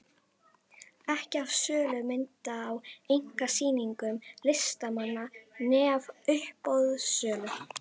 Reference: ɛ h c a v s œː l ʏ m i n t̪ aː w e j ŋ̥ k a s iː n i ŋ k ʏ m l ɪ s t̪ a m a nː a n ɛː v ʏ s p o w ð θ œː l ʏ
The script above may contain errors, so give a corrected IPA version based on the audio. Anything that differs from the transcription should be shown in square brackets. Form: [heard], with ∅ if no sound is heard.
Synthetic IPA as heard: ɛ h c a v s œː l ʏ m [ɪ] n t̪ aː w e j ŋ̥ k a s iː n i ŋ k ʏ m l ɪ s t̪ a m a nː a n ɛː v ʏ [h] p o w ð [s] œː l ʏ